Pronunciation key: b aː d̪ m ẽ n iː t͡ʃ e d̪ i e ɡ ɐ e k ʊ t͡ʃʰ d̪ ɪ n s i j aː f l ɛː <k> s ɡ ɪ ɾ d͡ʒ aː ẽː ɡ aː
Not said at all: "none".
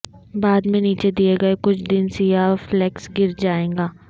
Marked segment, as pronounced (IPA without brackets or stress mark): k